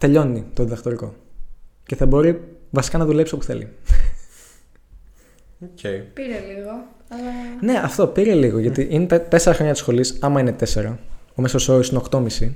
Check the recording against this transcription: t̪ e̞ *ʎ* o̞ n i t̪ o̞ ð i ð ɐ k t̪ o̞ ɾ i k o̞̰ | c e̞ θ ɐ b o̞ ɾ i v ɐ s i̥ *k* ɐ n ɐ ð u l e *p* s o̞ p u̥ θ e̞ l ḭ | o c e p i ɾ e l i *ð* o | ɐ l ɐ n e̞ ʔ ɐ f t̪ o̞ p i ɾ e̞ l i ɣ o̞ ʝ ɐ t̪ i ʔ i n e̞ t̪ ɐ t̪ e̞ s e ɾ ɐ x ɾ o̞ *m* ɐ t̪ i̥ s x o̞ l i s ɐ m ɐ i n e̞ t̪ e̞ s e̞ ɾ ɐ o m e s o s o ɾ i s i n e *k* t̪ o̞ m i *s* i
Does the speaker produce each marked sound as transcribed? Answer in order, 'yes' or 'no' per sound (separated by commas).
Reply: yes, yes, yes, no, no, yes, yes